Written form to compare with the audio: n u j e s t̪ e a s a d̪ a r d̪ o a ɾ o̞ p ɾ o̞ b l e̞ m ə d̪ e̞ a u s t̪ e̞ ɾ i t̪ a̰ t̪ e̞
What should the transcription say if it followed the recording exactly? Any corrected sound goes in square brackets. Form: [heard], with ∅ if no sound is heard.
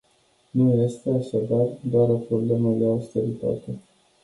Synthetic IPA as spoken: n u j e s t̪ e a [ʃ] a d̪ a r d̪ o a ɾ o̞ p ɾ o̞ b l e̞ m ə d̪ e̞ a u s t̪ e̞ ɾ i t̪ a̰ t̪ e̞